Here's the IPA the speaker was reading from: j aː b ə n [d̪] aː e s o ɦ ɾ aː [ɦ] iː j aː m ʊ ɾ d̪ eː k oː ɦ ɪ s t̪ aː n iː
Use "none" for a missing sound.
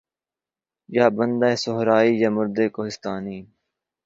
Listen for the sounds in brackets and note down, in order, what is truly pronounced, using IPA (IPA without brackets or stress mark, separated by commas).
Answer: d̪, none